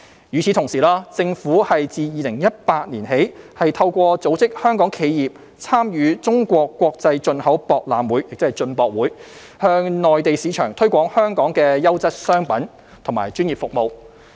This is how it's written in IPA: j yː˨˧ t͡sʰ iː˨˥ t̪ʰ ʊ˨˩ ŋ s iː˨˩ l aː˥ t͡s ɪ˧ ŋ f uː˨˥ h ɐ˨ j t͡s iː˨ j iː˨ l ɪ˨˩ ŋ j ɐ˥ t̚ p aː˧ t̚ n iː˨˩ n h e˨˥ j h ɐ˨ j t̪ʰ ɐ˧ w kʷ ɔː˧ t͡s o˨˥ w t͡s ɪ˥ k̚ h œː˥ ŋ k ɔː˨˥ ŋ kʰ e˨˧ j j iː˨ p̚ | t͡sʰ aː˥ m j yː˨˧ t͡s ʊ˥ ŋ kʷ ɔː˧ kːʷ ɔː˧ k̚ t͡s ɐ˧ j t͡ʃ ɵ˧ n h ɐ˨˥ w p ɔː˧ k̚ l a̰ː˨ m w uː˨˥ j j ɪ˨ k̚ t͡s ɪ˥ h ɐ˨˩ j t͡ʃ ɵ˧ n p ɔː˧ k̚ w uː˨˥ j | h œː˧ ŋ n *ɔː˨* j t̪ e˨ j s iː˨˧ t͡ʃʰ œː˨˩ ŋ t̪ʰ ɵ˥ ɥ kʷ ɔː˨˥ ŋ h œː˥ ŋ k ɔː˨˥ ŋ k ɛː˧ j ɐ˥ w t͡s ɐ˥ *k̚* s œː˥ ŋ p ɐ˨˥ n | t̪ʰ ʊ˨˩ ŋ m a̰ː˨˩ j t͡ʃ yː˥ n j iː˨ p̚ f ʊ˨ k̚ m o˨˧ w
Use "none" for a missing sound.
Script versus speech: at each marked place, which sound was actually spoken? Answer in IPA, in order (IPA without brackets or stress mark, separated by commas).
ɔː˨, t̚